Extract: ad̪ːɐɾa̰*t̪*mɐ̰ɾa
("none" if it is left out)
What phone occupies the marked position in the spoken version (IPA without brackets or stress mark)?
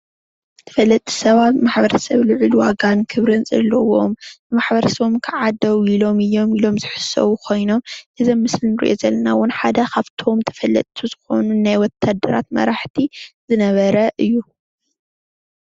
t̪